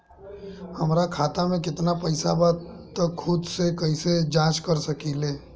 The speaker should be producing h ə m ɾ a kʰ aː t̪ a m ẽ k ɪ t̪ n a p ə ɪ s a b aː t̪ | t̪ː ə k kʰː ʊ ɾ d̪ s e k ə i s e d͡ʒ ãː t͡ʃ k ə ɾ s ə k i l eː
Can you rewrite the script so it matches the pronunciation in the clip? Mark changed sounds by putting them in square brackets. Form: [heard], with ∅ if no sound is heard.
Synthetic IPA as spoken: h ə m ɾ a kʰ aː t̪ a m ẽ k ɪ t̪ n a p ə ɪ s a b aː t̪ | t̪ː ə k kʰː ʊ [∅] d̪ s e k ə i s e d͡ʒ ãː t͡ʃ k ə ɾ s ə k i l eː